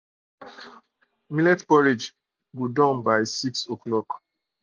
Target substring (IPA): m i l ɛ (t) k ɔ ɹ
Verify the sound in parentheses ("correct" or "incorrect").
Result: correct